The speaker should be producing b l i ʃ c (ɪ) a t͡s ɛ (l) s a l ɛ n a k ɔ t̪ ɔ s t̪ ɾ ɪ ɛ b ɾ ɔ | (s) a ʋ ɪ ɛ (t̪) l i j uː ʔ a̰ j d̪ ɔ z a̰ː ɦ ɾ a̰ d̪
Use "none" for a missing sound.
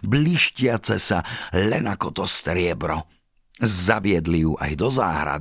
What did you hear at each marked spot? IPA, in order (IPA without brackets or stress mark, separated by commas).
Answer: ɪ, none, z, d̪